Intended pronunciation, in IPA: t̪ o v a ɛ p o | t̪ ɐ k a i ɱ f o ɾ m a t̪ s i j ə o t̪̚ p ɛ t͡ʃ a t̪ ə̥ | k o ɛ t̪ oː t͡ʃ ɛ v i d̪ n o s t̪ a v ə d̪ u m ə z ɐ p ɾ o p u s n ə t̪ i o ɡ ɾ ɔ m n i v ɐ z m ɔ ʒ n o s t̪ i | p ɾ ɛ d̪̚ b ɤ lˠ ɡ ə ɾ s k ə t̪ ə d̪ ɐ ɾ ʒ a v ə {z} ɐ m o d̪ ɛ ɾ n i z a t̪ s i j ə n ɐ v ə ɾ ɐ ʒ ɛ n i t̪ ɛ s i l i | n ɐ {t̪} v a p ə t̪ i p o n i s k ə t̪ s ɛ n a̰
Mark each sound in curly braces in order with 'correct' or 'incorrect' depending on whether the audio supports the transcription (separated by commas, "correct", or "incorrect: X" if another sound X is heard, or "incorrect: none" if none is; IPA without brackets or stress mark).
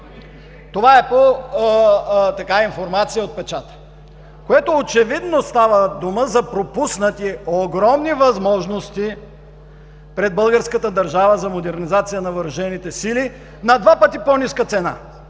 correct, incorrect: d̪